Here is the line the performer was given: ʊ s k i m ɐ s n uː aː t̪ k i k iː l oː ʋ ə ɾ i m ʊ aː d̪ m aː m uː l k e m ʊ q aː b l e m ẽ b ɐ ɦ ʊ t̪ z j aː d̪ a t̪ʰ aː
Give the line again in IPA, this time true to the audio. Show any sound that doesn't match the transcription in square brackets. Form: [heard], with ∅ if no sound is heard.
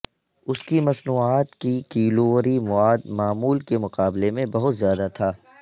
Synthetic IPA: ʊ s k i m ɐ s n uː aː t̪ k i k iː l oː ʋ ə ɾ i m ʊ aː d̪ m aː m uː l k e m ʊ q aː b l e m ẽ b ɐ ɦ ʊ t̪ z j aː d̪ a t̪ʰ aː

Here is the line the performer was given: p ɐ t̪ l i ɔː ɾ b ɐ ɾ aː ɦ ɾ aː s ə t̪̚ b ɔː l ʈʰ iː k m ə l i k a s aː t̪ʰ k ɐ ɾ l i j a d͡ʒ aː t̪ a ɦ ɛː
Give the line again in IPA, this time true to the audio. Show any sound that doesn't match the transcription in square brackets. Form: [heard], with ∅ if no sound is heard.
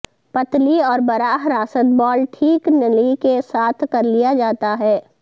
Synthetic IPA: p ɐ t̪ l i ɔː ɾ b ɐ ɾ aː ɦ ɾ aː s ə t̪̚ b ɔː l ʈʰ iː k [n] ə l i k [e] s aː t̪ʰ k ɐ ɾ l i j a d͡ʒ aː t̪ a ɦ ɛː

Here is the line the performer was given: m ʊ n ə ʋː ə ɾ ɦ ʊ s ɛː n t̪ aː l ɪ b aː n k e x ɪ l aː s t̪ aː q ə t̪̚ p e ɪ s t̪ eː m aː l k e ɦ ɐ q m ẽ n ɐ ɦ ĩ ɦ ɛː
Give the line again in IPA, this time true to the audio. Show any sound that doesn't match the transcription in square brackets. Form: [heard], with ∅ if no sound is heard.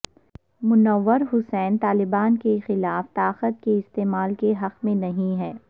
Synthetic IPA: m ʊ n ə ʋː ə ɾ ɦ ʊ s ɛː n t̪ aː l ɪ b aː n k e x ɪ l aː [f] t̪ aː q ə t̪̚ [k] e ɪ s t̪ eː m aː l k e ɦ ɐ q m ẽ n ɐ ɦ ĩ ɦ ɛː

